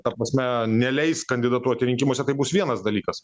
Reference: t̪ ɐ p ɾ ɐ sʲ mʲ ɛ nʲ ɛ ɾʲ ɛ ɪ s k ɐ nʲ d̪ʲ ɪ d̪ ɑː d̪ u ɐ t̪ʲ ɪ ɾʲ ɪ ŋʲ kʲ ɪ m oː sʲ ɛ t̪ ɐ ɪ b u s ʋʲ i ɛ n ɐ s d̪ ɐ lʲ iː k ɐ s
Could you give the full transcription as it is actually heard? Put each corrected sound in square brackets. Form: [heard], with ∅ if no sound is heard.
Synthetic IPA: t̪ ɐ p ɾ ɐ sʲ mʲ ɛ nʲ ɛ [lʲ] ɛ ɪ s k ɐ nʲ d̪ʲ ɪ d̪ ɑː [t̪] u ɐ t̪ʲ ɪ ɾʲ ɪ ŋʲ kʲ ɪ m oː sʲ ɛ t̪ ɐ ɪ b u s ʋʲ i ɛ n ɐ s d̪ ɐ lʲ iː k ɐ s